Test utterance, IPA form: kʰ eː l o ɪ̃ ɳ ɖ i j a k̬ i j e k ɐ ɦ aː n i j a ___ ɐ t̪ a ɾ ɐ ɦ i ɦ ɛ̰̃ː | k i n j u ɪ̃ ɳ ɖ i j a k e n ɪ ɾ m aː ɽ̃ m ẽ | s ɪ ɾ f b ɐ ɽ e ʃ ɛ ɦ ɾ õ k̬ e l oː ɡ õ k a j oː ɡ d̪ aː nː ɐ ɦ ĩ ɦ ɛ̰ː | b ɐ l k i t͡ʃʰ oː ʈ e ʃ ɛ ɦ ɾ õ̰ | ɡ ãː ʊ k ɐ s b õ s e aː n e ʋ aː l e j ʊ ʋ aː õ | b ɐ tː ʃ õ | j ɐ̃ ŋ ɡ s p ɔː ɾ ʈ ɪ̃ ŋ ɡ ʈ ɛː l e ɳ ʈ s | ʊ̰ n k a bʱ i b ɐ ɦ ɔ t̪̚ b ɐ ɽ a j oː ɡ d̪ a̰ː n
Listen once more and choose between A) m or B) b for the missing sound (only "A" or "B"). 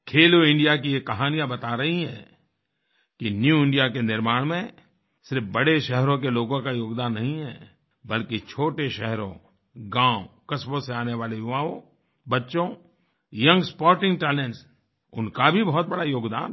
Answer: B